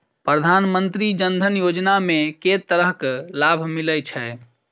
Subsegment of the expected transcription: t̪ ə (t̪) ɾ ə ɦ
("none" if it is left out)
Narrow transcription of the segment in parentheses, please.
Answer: none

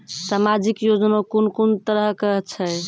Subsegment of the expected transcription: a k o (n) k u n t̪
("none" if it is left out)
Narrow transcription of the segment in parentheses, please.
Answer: n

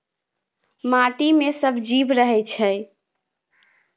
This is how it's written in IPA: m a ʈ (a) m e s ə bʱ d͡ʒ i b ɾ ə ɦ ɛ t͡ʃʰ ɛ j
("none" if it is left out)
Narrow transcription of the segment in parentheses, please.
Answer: i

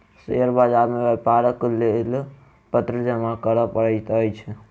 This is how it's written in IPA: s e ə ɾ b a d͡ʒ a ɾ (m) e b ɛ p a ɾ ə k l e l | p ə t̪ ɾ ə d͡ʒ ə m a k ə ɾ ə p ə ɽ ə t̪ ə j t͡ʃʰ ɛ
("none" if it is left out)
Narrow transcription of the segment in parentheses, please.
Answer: m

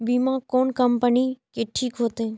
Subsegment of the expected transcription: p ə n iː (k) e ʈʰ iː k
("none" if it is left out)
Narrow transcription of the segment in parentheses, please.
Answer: k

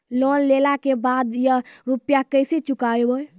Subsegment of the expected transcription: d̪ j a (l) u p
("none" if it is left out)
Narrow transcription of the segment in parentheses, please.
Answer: ɾ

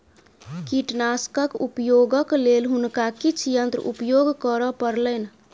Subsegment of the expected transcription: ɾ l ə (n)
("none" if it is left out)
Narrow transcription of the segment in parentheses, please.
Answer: n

